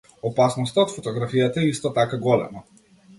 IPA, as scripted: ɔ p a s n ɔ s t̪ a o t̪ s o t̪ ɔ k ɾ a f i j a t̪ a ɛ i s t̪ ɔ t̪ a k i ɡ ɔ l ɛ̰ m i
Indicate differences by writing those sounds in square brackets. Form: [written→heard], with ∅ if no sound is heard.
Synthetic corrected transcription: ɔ p a s n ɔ s t̪ a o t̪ [s→f] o t̪ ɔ [k→ɡ] ɾ a f i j a t̪ a ɛ i s t̪ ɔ t̪ a k [i→a] ɡ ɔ l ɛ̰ m [i→a]